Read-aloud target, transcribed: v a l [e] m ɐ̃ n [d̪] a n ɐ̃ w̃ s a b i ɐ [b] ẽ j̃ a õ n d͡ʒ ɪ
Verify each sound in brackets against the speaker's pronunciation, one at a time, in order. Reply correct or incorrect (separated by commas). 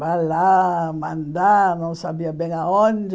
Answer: incorrect, correct, correct